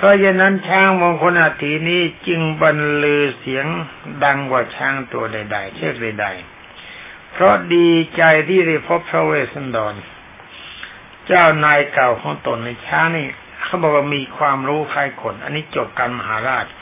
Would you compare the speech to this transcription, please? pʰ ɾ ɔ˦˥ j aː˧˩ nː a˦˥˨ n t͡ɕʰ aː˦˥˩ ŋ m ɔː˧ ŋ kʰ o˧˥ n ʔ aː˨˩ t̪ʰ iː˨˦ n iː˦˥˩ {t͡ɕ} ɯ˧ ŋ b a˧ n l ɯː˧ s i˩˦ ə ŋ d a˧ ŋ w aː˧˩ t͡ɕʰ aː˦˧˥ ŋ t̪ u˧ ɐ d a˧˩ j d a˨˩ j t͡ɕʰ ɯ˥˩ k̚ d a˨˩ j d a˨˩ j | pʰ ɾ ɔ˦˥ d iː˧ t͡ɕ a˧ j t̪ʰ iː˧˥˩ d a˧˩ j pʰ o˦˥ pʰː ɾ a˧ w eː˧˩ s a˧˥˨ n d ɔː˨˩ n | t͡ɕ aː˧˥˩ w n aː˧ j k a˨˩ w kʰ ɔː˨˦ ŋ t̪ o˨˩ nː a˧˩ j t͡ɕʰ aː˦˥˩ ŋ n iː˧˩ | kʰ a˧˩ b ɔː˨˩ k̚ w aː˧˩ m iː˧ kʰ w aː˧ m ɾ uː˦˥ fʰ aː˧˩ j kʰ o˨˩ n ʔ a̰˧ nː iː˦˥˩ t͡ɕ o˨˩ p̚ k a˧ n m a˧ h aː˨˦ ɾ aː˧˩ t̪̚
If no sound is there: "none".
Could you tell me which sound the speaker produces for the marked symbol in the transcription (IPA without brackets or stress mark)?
t͡ɕ